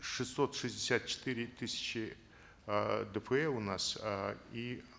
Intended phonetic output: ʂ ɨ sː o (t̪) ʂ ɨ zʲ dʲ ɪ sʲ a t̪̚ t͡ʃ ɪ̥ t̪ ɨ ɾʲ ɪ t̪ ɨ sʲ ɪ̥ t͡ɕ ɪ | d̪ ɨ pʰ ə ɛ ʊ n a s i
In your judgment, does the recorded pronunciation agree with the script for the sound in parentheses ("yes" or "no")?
yes